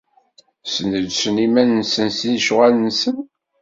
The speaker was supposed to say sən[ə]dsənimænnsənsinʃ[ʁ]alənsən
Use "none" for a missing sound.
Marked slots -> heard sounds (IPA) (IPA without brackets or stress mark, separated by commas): ə, ʁ